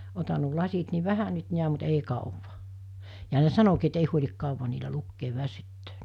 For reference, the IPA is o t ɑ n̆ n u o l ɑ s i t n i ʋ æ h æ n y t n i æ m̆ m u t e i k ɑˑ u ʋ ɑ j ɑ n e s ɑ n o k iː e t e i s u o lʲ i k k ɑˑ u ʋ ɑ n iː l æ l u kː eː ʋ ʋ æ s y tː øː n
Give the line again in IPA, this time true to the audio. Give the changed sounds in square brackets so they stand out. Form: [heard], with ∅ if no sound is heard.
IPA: o t ɑ n̆ n u o l ɑ s i t n i ʋ æ h æ n y t n i æ m̆ m u t e i k ɑˑ u ʋ ɑ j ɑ n e s ɑ n o k iː e t e i [h] u o lʲ i k k ɑˑ u ʋ ɑ n iː l æ l u kː eː ʋ ʋ æ s y tː øː n